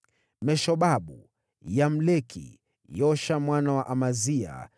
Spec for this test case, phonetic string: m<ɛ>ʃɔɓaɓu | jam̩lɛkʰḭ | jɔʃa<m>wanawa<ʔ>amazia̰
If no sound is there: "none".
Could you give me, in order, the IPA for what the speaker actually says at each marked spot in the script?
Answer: ɛ, m, ʔ

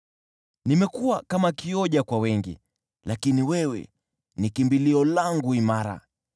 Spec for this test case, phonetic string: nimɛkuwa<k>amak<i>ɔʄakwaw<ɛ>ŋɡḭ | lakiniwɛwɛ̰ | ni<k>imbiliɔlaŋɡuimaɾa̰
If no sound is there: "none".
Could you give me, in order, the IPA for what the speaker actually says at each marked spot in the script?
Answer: k, i, ɛ, k

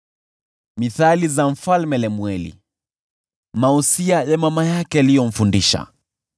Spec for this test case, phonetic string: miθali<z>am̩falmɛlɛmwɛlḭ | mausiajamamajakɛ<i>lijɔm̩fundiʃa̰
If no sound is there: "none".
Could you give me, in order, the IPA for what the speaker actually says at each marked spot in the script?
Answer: z, a

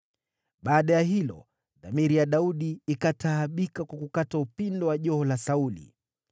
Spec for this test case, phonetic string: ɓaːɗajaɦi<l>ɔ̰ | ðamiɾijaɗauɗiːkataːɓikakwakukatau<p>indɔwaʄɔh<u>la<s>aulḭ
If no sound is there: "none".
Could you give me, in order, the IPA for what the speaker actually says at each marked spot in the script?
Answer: l, p, ɔ, s

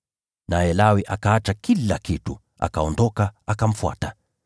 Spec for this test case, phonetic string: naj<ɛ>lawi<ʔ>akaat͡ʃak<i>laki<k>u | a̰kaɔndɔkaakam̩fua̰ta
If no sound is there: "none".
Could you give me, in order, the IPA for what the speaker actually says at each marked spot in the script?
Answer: ɛ, ʔ, i, t

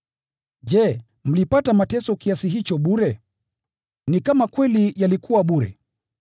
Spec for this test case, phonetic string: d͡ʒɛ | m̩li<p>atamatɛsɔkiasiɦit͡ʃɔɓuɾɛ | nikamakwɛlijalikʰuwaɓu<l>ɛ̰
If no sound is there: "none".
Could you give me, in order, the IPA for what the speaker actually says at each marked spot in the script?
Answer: p, ɾ

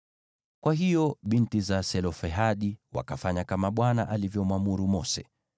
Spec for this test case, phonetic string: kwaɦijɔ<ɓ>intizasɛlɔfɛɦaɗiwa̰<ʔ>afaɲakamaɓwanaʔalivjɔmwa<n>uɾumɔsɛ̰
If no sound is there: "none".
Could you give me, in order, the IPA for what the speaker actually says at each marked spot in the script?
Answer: ɓ, k, m

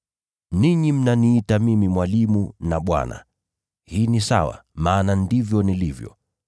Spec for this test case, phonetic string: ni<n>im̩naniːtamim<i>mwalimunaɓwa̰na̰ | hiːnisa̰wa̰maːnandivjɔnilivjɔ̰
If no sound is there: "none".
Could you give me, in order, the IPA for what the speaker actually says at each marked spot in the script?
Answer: ɲ, i

